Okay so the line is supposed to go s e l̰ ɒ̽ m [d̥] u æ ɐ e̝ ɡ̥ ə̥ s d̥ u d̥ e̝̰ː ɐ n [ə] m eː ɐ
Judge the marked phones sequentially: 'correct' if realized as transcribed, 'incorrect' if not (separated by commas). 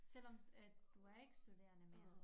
correct, correct